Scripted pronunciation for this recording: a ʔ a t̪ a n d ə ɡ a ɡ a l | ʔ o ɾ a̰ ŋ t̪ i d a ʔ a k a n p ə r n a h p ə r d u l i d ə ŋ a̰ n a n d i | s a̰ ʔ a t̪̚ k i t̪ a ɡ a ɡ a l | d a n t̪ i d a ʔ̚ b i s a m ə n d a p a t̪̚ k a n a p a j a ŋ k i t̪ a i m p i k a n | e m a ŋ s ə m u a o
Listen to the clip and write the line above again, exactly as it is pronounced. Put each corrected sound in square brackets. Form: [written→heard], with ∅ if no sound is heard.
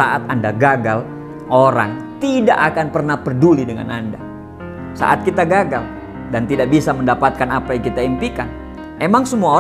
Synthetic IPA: a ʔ a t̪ a n d [ə→a] ɡ a ɡ a l | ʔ o ɾ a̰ ŋ t̪ i d a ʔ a k a n p ə r n a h p ə r d u l i d ə ŋ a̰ n a n d [i→a] | s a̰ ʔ a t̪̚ k i t̪ a ɡ a ɡ a l | d a n t̪ i d a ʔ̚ b i s a m ə n d a p a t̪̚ k a n a p a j a ŋ k i t̪ a i m p i k a n | e m a ŋ s ə m u a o